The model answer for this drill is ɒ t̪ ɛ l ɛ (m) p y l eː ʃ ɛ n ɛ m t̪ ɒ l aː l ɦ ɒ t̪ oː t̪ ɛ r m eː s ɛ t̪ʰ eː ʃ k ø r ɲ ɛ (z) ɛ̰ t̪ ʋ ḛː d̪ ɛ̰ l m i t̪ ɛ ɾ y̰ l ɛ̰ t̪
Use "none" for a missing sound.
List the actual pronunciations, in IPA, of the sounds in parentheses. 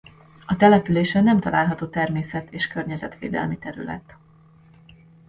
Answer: none, z

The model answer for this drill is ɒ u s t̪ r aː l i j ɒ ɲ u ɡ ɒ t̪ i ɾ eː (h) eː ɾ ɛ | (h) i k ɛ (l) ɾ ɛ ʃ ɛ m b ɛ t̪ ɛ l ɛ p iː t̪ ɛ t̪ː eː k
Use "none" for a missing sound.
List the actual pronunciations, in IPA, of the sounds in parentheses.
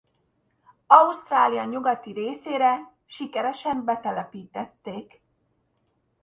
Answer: s, ʃ, none

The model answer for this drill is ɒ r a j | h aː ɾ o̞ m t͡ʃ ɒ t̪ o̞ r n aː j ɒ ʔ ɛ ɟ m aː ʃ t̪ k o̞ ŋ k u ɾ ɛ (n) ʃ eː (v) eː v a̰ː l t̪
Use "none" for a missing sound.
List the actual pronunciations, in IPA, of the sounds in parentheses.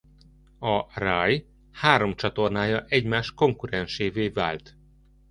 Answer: n, v

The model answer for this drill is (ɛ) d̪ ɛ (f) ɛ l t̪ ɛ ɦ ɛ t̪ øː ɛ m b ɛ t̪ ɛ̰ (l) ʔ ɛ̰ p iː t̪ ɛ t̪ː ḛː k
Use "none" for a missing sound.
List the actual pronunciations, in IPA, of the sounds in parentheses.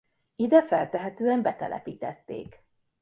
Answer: i, f, l

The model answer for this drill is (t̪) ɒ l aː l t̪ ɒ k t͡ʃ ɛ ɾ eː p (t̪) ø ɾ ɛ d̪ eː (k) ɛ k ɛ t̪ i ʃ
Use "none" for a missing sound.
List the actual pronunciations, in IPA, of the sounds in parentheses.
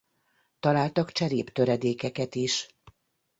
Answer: t̪, t̪, k

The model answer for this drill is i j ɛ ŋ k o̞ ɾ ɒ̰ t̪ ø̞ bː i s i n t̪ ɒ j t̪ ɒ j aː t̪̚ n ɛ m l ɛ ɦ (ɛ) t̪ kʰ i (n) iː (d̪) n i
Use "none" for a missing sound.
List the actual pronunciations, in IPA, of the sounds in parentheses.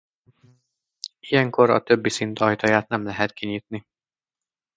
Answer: ɛ, ɲ, t̪

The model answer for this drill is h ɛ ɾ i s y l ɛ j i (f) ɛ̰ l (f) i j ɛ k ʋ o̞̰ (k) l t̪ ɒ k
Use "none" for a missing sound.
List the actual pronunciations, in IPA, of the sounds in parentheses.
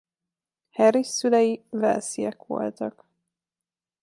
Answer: v, s, none

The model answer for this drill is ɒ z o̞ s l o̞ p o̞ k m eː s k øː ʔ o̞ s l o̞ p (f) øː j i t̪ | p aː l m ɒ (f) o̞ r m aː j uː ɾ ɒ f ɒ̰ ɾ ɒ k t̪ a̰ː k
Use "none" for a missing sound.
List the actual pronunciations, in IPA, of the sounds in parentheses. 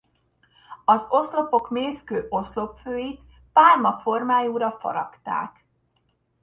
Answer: f, f

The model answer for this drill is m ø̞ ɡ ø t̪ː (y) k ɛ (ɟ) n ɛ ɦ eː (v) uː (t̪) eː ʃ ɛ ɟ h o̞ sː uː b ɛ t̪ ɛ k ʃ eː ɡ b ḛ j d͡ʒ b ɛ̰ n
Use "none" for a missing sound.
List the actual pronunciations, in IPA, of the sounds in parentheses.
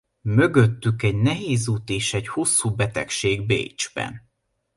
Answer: y, ɟ, z, t̪

